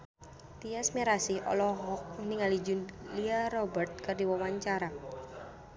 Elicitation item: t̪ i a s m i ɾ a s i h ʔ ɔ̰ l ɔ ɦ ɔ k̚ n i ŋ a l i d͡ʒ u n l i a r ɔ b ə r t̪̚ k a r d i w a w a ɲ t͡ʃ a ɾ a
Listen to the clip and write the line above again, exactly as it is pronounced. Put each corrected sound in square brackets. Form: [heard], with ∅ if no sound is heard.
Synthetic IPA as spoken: t̪ i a s m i ɾ a s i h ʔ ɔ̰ l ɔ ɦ ɔ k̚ n i ŋ a l i d͡ʒ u n l i a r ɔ b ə r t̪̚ k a r d i w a w a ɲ t͡ʃ a ɾ a